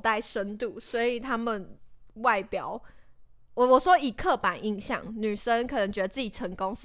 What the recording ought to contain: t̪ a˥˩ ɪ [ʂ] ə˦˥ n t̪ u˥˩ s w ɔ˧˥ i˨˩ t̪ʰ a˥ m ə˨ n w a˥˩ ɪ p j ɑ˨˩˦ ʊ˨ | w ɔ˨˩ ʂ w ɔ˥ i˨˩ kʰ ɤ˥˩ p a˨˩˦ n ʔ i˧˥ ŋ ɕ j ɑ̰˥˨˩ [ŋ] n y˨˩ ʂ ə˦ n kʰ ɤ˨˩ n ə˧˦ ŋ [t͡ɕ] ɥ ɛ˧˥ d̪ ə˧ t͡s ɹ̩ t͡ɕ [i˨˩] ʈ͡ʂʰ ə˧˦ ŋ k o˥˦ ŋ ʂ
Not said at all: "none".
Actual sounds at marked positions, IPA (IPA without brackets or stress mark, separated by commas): ʂ, ŋ, t͡ɕ, i˨˩